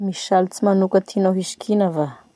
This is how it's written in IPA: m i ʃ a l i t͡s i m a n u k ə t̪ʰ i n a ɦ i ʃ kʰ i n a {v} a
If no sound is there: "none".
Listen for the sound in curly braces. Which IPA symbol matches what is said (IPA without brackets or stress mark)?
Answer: v